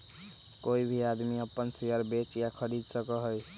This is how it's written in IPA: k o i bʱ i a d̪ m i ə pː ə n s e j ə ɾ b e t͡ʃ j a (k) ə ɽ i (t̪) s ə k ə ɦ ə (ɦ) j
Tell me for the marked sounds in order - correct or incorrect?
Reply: incorrect, incorrect, incorrect

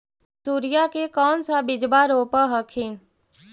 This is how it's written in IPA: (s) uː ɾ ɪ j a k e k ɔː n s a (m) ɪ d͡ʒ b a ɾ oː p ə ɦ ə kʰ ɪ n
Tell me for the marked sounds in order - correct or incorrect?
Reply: correct, incorrect

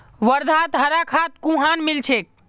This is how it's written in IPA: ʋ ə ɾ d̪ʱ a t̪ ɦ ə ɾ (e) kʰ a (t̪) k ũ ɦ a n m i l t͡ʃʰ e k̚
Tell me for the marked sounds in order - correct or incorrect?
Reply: incorrect, correct

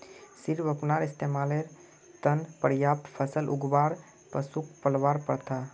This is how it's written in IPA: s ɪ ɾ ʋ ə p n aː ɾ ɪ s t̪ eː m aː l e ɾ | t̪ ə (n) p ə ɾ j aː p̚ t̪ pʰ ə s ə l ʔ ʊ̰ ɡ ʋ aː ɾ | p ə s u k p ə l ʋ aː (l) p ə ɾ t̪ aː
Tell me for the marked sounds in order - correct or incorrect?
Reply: correct, incorrect

